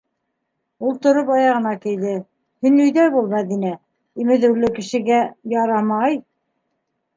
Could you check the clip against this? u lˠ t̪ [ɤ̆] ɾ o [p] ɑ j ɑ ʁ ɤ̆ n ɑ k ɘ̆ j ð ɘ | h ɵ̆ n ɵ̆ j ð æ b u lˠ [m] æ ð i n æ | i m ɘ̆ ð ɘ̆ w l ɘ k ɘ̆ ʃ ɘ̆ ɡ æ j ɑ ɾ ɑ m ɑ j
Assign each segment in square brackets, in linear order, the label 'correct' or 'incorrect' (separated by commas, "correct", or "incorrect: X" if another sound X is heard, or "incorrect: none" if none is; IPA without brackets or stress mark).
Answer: incorrect: ŏ, correct, correct